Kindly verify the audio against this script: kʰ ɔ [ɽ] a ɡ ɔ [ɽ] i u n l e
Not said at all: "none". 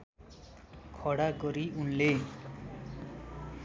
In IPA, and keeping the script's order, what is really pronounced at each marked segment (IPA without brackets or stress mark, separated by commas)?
ɽ, ɾ